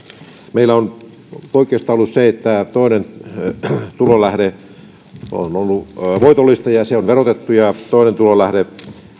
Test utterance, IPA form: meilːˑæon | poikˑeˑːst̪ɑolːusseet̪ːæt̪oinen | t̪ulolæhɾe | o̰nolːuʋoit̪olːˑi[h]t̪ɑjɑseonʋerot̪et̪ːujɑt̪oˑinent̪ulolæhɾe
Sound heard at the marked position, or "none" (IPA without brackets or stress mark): s